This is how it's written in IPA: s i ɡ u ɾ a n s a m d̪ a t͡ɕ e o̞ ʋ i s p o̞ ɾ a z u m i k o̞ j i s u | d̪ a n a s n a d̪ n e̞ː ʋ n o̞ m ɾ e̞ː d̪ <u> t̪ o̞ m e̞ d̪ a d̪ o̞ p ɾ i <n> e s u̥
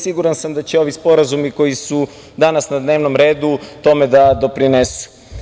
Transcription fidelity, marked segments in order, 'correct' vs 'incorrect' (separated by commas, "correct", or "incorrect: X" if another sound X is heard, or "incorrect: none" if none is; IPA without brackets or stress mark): correct, correct